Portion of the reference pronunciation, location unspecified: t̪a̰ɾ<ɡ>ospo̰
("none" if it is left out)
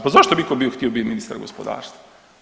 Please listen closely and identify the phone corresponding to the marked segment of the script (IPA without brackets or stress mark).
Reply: ɡ